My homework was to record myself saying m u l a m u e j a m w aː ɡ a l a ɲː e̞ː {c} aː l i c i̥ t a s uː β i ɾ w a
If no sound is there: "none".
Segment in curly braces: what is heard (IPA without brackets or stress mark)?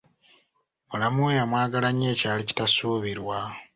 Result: c